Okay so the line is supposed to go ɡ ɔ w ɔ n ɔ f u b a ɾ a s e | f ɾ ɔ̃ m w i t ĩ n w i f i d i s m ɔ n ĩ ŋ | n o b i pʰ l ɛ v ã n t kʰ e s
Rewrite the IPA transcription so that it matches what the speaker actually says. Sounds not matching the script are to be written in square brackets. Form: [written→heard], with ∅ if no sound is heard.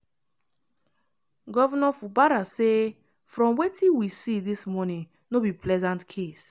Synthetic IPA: ɡ ɔ [w→v] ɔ n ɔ f u b a ɾ a s e | f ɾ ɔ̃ m w [i→e] t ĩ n w i [f→s] i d i s m ɔ n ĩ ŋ | n o b i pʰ l ɛ [v→z] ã n t kʰ e s